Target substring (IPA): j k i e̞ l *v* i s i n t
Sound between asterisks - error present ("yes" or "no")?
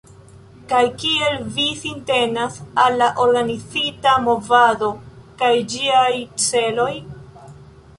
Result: no